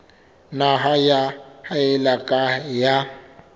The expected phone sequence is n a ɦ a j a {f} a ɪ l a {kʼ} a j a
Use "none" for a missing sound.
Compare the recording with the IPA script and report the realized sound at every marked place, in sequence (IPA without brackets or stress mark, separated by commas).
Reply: h, kʼ